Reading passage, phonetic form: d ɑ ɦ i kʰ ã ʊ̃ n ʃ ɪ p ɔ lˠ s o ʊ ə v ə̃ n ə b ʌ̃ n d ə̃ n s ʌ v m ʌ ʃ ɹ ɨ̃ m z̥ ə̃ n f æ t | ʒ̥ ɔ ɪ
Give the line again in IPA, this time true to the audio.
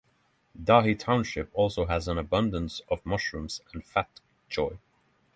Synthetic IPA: d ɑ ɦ i tʰ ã ʊ̃ n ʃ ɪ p ɔ lˠ s o ʊ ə z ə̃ n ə b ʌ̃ n d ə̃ n s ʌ v m ʌ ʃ ɹ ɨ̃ m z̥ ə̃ n f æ t | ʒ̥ ɔ ɪ